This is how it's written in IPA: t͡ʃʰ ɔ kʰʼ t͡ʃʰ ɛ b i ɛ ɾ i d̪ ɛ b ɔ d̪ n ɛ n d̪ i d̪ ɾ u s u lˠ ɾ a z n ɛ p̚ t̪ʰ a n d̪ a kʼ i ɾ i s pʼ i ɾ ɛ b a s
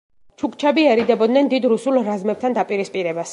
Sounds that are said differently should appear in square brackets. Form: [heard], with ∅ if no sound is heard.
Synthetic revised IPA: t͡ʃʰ [u] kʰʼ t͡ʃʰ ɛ b i ɛ ɾ i d̪ ɛ b ɔ d̪ n ɛ n d̪ i d̪ ɾ u s u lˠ ɾ a z [m] ɛ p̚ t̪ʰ a n d̪ a [pʼ] i ɾ i s pʼ i ɾ ɛ b a s